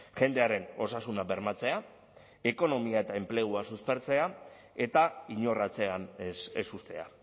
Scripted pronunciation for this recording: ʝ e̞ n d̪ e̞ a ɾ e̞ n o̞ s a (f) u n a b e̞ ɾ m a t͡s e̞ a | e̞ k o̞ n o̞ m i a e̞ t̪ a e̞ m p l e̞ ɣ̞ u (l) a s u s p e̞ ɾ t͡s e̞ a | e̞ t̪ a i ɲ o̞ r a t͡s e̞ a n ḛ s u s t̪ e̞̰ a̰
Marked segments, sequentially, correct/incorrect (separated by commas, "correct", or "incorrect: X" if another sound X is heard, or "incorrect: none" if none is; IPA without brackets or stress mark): incorrect: s, incorrect: none